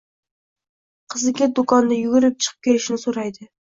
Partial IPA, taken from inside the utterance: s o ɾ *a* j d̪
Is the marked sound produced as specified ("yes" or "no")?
no